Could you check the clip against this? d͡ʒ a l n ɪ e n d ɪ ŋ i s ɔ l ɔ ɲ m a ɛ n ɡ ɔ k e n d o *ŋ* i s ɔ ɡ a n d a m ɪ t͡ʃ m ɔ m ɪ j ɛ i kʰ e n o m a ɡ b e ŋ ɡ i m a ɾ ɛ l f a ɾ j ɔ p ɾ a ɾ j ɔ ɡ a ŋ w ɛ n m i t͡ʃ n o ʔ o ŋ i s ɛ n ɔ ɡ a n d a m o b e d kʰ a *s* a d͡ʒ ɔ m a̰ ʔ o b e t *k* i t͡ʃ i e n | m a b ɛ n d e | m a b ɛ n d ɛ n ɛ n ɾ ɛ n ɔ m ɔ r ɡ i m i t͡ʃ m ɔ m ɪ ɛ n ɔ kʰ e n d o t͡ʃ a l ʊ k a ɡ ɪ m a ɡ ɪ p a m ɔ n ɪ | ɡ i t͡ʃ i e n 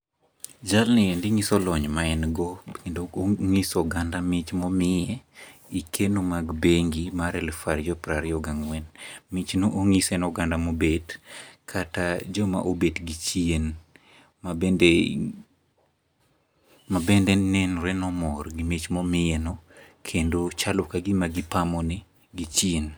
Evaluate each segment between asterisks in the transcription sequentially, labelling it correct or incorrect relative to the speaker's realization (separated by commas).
correct, incorrect, incorrect